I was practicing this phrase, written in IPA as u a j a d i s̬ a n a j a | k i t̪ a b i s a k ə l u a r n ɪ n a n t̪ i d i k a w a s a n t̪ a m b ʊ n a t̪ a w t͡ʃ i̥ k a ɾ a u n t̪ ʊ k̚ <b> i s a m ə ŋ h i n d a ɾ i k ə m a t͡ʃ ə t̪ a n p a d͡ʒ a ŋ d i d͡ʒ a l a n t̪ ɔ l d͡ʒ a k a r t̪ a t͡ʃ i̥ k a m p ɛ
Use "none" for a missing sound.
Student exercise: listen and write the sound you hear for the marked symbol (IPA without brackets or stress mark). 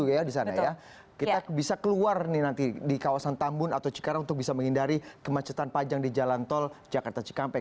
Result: b